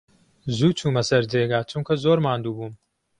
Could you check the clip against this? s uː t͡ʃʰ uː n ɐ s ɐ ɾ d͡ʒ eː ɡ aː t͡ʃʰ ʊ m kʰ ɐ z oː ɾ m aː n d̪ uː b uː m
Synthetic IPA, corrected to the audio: z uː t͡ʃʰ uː m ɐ s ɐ ɾ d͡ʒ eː ɡ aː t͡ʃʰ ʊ m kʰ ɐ z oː ɾ m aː n d̪ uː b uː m